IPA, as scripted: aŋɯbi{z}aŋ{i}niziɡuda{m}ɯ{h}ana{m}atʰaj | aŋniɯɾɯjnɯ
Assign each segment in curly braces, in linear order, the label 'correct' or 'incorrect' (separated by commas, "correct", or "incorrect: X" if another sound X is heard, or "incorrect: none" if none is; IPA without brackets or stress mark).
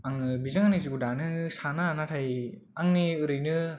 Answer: correct, incorrect: a, incorrect: n, incorrect: s, incorrect: n